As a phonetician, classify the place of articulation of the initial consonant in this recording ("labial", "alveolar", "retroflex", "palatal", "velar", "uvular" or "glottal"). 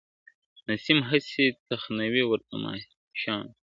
alveolar